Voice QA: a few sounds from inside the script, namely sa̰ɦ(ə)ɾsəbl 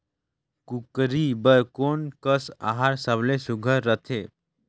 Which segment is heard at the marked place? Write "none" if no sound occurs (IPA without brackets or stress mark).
a